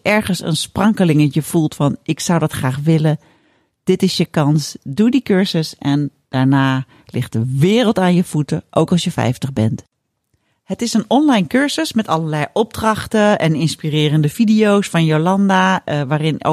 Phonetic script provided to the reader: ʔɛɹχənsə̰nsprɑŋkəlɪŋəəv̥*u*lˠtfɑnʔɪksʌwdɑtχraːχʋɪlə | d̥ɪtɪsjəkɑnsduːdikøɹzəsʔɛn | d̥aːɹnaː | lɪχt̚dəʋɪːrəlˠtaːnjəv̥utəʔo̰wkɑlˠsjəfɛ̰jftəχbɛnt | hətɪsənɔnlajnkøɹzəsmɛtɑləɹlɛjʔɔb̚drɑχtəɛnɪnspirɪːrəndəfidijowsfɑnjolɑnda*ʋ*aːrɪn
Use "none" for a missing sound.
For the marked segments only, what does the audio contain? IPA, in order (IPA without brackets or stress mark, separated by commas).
u, ʋ